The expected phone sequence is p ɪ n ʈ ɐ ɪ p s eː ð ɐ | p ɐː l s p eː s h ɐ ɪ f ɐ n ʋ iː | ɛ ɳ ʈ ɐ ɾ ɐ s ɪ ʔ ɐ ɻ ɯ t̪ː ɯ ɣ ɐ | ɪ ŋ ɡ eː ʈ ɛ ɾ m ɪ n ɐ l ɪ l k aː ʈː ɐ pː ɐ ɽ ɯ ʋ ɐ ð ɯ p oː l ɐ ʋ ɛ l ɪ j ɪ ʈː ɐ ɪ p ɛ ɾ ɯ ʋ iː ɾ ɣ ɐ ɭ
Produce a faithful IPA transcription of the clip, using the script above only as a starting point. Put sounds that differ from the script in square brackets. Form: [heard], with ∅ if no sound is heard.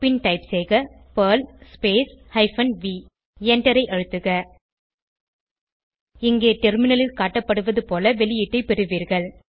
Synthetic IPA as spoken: p ɪ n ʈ ɐ ɪ p s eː [ɣ] ɐ | p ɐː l s p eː s h ɐ ɪ f ɐ n ʋ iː | ɛ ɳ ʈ ɐ ɾ ɐ [∅] ɪ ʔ ɐ ɻ ɯ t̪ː ɯ ɣ ɐ | ɪ ŋ ɡ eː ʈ ɛ ɾ m ɪ n ɐ l ɪ l k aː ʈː ɐ pː ɐ ɽ ɯ ʋ ɐ ð ɯ p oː l ɐ ʋ ɛ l ɪ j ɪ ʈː ɐ ɪ p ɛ ɾ ɯ ʋ iː ɾ ɣ ɐ ɭ